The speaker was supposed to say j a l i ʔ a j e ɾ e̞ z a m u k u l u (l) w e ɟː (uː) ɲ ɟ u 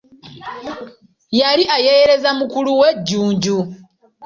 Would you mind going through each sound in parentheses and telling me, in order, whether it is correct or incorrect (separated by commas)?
incorrect, correct